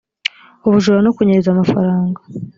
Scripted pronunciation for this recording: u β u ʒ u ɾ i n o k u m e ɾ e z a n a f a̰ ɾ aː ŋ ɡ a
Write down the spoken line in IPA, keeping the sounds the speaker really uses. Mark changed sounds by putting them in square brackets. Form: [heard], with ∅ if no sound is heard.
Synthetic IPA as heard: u β u ʒ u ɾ [a] n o k u [ɲ] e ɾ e z a [m] a f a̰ ɾ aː ŋ ɡ a